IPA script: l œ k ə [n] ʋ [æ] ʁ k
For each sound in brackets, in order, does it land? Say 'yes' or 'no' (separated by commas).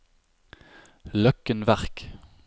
yes, yes